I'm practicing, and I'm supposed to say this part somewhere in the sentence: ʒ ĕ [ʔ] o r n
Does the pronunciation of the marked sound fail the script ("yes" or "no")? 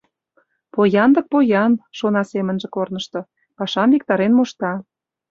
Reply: yes